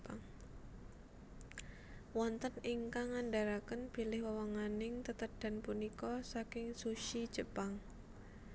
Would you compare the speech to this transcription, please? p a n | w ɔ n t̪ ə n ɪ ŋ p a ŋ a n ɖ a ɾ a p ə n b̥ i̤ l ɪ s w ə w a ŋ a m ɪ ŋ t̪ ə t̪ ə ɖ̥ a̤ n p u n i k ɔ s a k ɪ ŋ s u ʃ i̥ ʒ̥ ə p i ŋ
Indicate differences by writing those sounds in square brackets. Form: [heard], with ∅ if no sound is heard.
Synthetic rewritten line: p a [ŋ] | w ɔ n t̪ ə n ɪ ŋ [k] a ŋ a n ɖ a ɾ a [k] ə n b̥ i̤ l ɪ [h] w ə w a ŋ a [n] ɪ ŋ t̪ ə t̪ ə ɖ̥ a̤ n p u n i k ɔ s a k ɪ ŋ s u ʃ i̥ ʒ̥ ə p [a] ŋ